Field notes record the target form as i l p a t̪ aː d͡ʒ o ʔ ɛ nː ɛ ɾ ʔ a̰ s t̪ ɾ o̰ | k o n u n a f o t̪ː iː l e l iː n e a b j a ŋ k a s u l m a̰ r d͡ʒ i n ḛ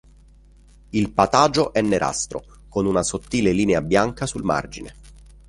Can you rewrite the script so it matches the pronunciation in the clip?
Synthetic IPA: i l p a t̪ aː d͡ʒ o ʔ ɛ nː e ɾ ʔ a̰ s t̪ ɾ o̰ | k o n u n a s o t̪ː iː l e l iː n e a b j a ŋ k a s u l m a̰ r d͡ʒ i n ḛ